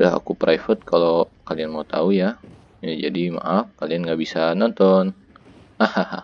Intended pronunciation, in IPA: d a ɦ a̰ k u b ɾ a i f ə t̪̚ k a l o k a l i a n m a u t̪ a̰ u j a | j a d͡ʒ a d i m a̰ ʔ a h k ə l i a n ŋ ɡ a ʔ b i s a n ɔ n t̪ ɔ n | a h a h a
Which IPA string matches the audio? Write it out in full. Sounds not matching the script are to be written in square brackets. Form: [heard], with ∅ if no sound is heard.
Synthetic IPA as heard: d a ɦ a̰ k u [p] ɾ a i f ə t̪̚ k a l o k a l i a n m a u t̪ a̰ u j a | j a d͡ʒ a d i m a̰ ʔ a [f] k [a] l i a n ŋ ɡ a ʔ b i s a n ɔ n t̪ ɔ n | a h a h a